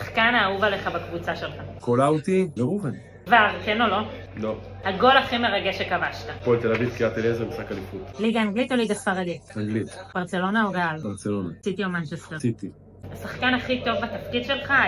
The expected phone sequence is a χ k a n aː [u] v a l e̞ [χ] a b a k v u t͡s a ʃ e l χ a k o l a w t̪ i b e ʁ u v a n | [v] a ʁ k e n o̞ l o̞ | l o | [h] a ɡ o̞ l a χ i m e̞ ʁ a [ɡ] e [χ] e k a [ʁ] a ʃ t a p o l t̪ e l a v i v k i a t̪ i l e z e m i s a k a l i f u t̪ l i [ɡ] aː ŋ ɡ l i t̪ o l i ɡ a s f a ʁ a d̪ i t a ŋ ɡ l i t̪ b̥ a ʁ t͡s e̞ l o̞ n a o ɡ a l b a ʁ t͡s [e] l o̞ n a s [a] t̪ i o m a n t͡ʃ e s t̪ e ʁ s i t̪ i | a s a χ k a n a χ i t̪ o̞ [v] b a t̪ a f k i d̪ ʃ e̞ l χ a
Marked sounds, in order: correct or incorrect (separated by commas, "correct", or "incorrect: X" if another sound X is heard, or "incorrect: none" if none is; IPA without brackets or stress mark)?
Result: correct, correct, correct, correct, correct, incorrect: ʃ, incorrect: v, correct, correct, incorrect: i, correct